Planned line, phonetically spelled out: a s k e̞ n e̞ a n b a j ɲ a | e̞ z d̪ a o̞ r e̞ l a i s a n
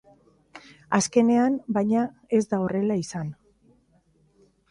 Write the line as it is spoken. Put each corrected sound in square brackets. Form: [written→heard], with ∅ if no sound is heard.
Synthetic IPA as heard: a s k e̞ n e̞ a n b a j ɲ a | e̞ z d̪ a o̞ r e̞ l a i s a n